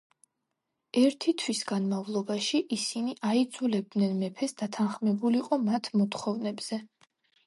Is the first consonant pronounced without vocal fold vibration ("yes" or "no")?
no